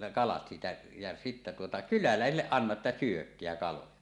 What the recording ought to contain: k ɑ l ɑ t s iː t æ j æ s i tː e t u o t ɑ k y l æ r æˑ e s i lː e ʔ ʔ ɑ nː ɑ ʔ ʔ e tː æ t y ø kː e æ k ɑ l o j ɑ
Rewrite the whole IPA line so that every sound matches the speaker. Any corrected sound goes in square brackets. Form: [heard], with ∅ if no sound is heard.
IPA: k ɑ l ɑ t s iː t æ j æ s i tː e t u o t ɑ k y l æ [l] æˑ e s i lː e ʔ ʔ ɑ nː ɑ ʔ ʔ e tː æ [s] y ø kː e æ k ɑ l o j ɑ